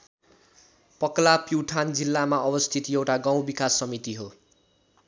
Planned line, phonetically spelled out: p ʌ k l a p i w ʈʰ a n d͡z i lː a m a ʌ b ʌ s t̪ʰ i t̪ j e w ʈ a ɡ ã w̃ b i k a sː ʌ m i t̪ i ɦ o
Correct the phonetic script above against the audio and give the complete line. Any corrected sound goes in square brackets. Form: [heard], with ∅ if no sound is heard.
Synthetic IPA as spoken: p ʌ k l a p i w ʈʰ a n d͡z i lː a m a ʌ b ʌ s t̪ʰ i t̪ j e w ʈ a ɡ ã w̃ b i k a sː ʌ m i t̪ i ɦ o